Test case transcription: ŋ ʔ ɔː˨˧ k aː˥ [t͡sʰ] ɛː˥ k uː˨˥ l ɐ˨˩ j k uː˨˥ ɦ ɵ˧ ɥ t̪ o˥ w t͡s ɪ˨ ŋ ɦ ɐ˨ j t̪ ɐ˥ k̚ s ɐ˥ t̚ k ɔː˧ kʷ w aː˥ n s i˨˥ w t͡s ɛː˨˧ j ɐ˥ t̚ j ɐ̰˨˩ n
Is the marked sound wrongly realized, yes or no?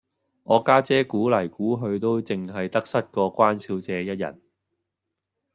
yes